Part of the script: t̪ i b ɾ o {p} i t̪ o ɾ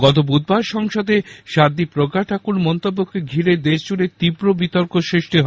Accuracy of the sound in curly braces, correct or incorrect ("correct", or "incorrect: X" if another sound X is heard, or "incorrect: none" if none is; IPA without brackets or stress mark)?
incorrect: b